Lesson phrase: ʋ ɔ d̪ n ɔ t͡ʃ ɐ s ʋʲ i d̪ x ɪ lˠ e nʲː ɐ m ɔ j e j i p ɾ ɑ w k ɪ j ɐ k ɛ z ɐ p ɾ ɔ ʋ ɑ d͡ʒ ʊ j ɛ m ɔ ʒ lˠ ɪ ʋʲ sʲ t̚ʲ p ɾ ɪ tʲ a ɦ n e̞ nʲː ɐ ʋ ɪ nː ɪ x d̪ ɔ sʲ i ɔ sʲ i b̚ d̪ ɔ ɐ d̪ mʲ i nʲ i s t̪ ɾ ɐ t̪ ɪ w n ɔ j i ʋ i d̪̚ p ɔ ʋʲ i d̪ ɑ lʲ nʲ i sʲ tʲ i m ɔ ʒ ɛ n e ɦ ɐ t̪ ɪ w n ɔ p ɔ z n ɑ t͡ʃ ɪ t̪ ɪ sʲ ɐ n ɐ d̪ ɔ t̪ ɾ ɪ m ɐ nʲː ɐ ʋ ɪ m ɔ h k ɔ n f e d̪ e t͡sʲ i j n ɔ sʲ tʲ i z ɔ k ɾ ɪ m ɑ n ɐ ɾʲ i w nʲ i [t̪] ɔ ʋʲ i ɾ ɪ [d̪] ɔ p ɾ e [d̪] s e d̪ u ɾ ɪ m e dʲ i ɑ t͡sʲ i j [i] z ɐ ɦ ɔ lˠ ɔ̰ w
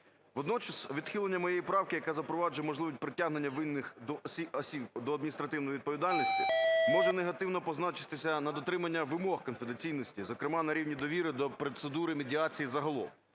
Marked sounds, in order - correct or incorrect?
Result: incorrect: d̪, correct, incorrect: t̪, correct

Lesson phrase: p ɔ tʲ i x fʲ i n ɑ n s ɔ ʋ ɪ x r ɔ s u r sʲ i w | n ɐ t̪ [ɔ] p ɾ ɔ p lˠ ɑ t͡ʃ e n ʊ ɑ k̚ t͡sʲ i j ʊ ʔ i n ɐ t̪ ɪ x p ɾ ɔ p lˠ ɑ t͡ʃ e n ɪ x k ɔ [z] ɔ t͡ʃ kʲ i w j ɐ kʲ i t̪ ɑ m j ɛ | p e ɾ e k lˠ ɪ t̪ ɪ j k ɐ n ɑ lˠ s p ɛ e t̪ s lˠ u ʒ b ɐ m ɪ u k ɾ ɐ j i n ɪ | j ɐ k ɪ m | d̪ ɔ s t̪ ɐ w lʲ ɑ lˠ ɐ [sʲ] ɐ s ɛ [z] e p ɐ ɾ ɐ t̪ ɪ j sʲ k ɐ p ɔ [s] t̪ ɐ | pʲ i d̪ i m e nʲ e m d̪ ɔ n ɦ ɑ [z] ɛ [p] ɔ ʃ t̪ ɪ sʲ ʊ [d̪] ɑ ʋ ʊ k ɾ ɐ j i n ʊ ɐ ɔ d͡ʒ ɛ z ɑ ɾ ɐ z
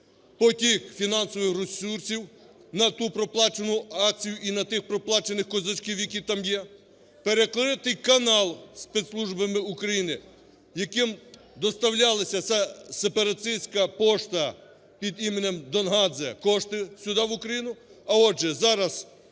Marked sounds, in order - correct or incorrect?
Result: incorrect: u, correct, correct, incorrect: s, incorrect: ʃ, correct, incorrect: k, correct

